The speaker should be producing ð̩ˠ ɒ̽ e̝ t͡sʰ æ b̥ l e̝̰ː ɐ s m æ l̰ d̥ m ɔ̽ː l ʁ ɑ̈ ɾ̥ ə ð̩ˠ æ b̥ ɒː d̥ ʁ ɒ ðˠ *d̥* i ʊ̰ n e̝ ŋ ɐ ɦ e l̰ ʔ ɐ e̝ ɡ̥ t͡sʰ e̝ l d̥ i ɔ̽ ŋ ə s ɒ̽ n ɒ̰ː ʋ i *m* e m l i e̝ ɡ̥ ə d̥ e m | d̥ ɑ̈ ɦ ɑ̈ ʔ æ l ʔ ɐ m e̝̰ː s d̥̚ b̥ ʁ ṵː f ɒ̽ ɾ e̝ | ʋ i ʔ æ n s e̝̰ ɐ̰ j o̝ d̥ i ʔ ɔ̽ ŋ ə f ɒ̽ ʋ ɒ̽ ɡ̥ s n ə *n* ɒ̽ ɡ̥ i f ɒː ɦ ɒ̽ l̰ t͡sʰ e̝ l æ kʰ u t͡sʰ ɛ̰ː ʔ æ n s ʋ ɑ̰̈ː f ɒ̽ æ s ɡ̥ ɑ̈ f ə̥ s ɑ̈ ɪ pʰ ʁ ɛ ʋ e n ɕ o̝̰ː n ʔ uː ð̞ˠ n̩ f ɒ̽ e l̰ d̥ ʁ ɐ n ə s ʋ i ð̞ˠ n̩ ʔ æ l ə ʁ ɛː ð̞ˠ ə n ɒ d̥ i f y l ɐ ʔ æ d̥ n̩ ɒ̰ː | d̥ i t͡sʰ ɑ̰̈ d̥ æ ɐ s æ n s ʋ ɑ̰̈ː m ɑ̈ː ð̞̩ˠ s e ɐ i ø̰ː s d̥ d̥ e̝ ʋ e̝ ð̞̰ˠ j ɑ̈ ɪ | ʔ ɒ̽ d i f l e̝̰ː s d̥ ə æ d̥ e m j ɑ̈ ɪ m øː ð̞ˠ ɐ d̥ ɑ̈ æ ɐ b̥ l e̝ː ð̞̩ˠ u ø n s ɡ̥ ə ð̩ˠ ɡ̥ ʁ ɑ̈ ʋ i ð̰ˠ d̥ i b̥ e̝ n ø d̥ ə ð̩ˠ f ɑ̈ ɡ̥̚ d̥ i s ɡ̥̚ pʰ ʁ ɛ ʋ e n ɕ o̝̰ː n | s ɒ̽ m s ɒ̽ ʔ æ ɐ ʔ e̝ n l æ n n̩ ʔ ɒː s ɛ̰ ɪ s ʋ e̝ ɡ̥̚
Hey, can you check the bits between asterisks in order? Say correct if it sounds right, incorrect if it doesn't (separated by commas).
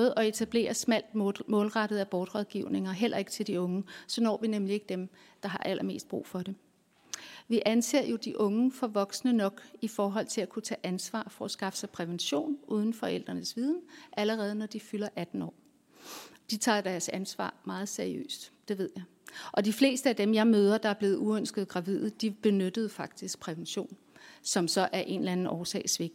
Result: incorrect, incorrect, correct